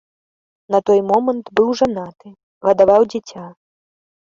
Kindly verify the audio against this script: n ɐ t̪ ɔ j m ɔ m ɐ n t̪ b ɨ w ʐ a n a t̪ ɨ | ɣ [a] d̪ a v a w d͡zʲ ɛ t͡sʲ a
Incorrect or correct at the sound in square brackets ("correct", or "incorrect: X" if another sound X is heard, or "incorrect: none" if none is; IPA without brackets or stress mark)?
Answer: incorrect: ɐ